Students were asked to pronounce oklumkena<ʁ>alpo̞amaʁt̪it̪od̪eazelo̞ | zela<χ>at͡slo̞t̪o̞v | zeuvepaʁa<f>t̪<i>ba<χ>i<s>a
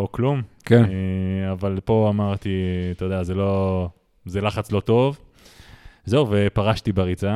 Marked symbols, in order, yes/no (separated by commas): no, yes, no, yes, no, no